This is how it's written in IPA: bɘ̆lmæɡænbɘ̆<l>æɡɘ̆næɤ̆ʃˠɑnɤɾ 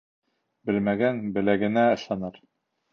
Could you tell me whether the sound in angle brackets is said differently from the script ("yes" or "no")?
no